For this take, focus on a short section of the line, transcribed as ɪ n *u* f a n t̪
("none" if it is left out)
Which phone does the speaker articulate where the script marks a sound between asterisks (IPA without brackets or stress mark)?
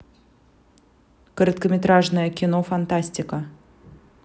o